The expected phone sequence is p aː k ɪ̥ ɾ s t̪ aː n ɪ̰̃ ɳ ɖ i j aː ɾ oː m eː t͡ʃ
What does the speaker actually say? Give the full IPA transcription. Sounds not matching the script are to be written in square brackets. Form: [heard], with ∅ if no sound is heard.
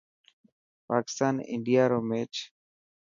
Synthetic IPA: p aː k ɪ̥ [∅] s t̪ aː n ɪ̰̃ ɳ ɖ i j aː ɾ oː m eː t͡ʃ